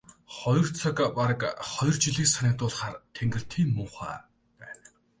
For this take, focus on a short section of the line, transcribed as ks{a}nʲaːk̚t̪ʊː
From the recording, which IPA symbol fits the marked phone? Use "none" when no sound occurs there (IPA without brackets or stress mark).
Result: a